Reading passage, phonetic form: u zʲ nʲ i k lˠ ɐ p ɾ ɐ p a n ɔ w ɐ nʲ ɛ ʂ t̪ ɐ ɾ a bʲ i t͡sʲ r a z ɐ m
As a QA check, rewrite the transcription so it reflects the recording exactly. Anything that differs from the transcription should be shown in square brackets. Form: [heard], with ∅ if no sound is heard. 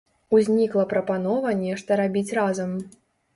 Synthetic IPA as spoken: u zʲ nʲ i k lˠ ɐ p ɾ ɐ p a n ɔ [v] ɐ nʲ ɛ ʂ t̪ ɐ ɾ a bʲ i t͡sʲ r a z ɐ m